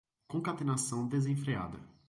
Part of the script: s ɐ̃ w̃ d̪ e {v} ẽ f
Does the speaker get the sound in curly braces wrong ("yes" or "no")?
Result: yes